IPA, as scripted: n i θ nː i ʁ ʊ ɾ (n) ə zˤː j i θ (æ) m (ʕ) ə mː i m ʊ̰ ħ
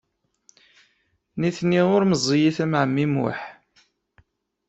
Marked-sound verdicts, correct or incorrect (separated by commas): incorrect, correct, correct